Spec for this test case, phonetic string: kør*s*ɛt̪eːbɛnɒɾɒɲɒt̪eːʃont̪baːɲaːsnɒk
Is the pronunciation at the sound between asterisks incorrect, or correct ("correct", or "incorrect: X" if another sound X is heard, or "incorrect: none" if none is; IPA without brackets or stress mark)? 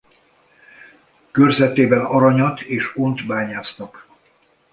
incorrect: z